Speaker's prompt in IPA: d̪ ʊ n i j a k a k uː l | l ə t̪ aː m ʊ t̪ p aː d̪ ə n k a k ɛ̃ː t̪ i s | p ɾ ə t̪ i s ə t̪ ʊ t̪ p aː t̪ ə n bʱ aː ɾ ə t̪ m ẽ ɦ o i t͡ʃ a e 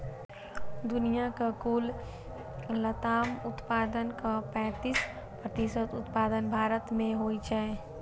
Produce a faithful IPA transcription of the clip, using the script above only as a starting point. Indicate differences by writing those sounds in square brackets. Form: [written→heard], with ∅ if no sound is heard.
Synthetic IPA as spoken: d̪ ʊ n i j a k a k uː l | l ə t̪ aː m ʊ t̪ p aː d̪ ə n k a [k→p] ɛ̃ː t̪ i s | p ɾ ə t̪ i s ə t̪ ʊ t̪ p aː [t̪→d̪] ə n bʱ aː ɾ ə t̪ m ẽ ɦ o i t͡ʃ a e

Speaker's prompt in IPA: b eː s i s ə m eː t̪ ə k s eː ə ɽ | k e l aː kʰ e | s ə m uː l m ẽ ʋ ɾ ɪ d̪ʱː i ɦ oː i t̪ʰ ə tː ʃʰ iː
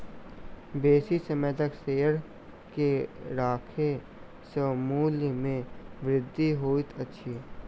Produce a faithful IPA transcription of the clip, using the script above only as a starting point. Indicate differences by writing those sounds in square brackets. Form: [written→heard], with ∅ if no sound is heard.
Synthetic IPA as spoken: b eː s i s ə m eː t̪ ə k s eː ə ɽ | k e [l→ɾ] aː kʰ e | s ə m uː l m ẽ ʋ ɾ ɪ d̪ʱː i ɦ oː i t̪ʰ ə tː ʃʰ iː

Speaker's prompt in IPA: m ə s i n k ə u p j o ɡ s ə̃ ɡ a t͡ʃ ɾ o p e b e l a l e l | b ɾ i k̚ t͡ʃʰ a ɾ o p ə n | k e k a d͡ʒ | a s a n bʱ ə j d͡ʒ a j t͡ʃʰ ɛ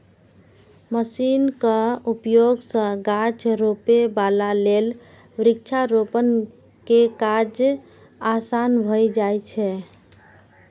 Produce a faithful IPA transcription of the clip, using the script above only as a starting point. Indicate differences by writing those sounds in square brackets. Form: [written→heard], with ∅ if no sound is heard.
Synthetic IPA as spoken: m ə s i n k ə u p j o ɡ s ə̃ ɡ a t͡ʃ ɾ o p e b [e→a] l a l e l | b ɾ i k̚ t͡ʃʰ a ɾ o p ə n | k e k a d͡ʒ | a s a n bʱ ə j d͡ʒ a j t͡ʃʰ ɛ

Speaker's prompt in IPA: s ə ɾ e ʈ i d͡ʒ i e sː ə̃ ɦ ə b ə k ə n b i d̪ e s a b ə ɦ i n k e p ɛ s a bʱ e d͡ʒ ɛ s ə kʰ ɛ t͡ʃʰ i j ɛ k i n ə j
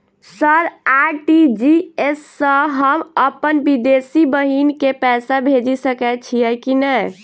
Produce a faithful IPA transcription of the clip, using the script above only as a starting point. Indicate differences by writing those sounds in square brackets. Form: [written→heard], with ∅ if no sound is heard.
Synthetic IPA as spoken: s ə ɾ [e→a] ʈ i d͡ʒ i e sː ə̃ ɦ ə [b→m] ə [k→p] ə n b i d̪ e s [a→i] b ə ɦ i n k e p ɛ s a bʱ e d͡ʒ [ɛ→i] s ə [kʰ→k] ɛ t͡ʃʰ i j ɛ k i n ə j

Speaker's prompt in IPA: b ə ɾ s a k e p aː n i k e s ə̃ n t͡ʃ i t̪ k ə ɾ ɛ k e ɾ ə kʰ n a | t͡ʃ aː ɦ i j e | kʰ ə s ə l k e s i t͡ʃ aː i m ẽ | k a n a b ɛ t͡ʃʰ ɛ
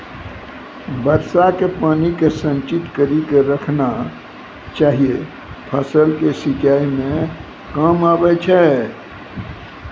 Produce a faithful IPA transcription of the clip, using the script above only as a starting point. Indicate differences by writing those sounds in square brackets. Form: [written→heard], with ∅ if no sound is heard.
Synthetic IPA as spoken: b ə ɾ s a k e p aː n i k e s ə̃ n t͡ʃ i t̪ k ə ɾ [ɛ→i] k e ɾ ə kʰ n a | t͡ʃ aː ɦ i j e | [kʰ→pʰ] ə s ə l k e s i t͡ʃ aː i m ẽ | k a [n→m] a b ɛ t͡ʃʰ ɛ

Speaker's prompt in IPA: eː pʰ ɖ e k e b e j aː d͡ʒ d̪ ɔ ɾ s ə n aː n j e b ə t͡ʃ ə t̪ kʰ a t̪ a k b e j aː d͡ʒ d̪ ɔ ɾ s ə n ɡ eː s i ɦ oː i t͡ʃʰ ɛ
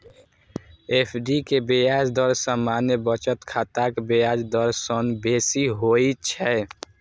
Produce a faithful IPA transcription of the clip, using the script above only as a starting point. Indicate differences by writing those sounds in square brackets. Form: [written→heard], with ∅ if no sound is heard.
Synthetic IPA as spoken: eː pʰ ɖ [e→i] k e b e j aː d͡ʒ d̪ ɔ ɾ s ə [n→m] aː n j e b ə t͡ʃ ə t̪ kʰ a t̪ a k b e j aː d͡ʒ d̪ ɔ ɾ s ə n [ɡ→b] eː s i ɦ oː i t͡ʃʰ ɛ

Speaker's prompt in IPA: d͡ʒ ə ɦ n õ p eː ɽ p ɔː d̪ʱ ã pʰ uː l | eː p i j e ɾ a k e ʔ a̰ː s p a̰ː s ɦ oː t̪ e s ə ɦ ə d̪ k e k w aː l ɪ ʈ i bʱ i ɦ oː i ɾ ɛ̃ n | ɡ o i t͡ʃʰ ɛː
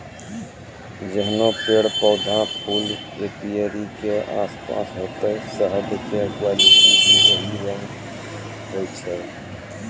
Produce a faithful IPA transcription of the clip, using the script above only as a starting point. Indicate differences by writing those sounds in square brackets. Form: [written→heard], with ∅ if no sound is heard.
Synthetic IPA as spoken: d͡ʒ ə ɦ n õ p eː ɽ p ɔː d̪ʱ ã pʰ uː l | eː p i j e ɾ [a→i] k e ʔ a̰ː s p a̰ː s ɦ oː t̪ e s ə ɦ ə d̪ k e k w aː l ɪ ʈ i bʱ i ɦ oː i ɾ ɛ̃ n | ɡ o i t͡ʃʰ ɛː

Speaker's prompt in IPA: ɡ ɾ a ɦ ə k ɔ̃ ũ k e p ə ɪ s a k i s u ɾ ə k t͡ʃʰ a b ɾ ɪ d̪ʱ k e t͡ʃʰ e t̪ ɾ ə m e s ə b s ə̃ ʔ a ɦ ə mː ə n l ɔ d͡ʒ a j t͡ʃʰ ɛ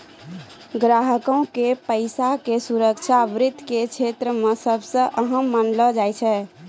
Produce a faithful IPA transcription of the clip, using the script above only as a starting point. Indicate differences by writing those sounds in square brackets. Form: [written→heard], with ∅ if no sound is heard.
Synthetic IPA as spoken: ɡ ɾ a ɦ ə k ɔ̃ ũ k e p ə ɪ s a k [i→e] s u ɾ ə k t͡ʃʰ a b ɾ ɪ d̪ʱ k e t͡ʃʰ e t̪ ɾ ə m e s ə b s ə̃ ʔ [a→ə] ɦ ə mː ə n l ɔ d͡ʒ a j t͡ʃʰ ɛ

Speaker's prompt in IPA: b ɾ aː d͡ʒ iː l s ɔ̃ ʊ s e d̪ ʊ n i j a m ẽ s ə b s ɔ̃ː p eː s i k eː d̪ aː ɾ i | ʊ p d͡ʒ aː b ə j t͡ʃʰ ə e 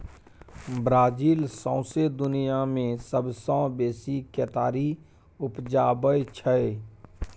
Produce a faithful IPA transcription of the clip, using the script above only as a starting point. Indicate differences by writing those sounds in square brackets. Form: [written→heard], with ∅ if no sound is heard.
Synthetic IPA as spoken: b ɾ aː d͡ʒ iː l s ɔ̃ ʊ s e d̪ ʊ n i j a m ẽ s ə b s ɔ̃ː [p→b] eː s i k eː [d̪→t̪] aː ɾ i | ʊ p d͡ʒ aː b ə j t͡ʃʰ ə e

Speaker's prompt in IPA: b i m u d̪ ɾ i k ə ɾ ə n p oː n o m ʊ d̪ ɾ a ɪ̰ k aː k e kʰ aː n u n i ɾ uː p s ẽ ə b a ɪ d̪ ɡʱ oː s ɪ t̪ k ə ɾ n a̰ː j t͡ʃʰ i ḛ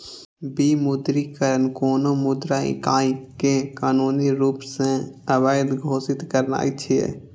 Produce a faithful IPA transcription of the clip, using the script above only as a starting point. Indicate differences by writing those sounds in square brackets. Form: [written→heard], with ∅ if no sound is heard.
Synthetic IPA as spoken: b i m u d̪ ɾ i k ə ɾ ə n [p→k] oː n o m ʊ d̪ ɾ a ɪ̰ k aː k e [kʰ→k] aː n u n i ɾ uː p s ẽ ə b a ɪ d̪ ɡʱ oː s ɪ t̪ k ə ɾ n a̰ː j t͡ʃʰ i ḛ

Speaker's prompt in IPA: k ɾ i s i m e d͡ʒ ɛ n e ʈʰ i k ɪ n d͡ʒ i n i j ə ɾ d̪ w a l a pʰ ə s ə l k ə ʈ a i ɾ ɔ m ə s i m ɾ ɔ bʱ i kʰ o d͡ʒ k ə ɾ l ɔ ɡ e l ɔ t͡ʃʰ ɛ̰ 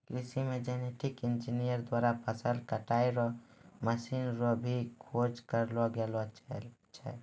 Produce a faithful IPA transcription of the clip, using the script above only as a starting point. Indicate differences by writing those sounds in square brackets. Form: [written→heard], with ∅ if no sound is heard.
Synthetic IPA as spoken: k ɾ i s i m e d͡ʒ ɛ n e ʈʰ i k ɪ n d͡ʒ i n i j ə ɾ d̪ w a [l→ɾ] a pʰ ə s ə l k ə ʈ a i ɾ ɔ m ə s i [m→n] ɾ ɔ bʱ i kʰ o d͡ʒ k ə ɾ l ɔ ɡ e l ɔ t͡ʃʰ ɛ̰

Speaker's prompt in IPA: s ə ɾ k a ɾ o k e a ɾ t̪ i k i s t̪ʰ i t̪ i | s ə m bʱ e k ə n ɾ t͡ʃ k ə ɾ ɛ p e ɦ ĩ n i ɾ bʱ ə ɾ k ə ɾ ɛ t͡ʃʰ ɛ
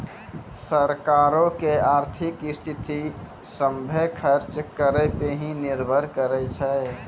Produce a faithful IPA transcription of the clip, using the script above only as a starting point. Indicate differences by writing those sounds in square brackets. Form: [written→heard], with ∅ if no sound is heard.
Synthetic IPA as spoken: s ə ɾ k a ɾ o k e a ɾ [t̪→t̪ʰ] i k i s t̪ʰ i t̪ i | s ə m bʱ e [k→kʰ] ə [n→∅] ɾ t͡ʃ k ə ɾ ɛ p e ɦ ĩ n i ɾ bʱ ə ɾ k ə ɾ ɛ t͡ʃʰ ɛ

